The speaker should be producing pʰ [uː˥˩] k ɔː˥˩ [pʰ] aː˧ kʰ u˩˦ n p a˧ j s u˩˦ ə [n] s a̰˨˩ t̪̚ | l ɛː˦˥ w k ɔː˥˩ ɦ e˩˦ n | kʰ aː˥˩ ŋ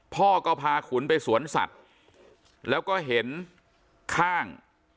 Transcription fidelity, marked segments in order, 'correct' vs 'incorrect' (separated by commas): incorrect, correct, correct